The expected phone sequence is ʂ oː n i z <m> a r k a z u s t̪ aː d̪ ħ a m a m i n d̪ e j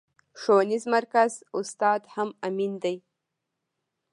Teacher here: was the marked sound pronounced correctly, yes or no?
yes